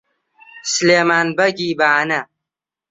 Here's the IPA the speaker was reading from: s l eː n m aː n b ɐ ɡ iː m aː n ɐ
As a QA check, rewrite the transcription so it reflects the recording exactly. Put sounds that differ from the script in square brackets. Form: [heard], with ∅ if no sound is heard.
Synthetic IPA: s l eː [∅] m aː n b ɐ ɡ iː [b] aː n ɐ